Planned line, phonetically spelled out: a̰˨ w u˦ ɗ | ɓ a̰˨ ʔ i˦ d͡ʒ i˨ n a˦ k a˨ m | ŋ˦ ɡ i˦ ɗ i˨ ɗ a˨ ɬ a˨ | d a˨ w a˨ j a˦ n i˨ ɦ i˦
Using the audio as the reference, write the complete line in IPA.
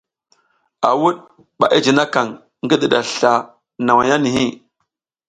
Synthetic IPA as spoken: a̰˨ w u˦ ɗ | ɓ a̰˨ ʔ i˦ d͡ʒ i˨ n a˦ k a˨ ŋ | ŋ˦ ɡ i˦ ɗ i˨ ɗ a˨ ɬ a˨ | n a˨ w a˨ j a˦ n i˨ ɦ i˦